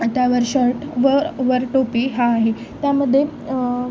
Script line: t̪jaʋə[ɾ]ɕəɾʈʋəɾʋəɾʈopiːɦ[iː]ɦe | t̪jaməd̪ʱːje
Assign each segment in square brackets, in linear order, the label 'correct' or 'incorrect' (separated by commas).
correct, incorrect